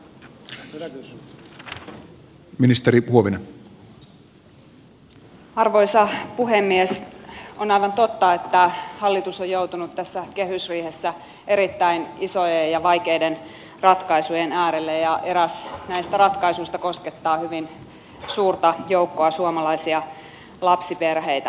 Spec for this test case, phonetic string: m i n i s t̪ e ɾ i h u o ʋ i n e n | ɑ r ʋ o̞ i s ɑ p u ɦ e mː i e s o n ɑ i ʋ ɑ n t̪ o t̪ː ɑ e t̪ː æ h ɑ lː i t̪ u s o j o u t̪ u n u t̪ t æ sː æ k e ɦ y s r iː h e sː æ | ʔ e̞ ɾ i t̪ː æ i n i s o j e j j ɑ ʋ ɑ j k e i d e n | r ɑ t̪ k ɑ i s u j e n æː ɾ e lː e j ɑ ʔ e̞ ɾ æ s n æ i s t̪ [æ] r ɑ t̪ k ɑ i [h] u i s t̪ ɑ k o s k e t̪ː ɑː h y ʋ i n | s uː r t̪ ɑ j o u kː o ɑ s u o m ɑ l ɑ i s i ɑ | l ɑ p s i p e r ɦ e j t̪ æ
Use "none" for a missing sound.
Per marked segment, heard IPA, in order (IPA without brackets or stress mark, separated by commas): æ, s